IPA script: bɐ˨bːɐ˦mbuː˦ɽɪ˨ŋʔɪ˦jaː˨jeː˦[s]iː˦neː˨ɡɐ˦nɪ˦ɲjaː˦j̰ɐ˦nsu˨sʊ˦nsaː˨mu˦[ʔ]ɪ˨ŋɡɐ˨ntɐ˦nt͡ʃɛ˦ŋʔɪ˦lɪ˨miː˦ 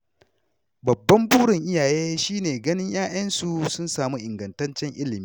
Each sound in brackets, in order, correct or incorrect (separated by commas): incorrect, correct